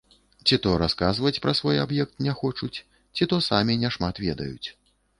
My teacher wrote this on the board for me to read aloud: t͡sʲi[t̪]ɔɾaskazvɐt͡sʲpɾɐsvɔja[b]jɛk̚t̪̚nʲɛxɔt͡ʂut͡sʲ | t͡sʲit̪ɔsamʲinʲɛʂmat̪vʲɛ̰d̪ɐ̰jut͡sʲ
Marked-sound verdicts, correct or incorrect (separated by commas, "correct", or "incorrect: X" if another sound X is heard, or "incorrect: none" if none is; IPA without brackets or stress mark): correct, correct